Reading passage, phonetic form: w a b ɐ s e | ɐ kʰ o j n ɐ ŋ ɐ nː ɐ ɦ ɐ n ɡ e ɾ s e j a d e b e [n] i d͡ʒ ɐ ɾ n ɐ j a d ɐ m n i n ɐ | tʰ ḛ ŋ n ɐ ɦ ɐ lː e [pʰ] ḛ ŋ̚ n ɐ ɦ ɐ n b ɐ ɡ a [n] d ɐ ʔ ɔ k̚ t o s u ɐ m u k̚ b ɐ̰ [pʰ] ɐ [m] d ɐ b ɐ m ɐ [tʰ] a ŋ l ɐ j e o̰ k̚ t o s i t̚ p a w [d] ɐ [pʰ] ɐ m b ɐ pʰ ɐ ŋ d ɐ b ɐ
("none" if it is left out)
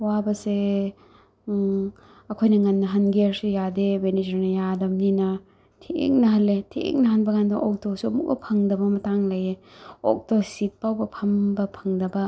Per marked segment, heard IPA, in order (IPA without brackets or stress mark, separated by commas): n, tʰ, n, pʰ, ŋ, t, b, pʰ